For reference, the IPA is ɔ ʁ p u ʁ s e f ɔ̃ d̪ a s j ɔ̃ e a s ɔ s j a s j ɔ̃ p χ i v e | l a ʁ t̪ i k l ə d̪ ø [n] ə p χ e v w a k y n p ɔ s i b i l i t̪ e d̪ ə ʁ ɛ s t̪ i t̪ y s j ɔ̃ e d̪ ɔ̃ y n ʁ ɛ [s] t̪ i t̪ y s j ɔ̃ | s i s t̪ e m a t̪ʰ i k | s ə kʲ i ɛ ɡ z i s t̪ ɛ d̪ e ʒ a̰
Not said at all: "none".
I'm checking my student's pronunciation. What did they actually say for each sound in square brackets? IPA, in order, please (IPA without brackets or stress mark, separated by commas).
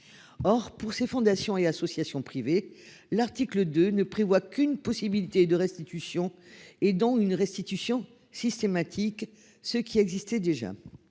n, s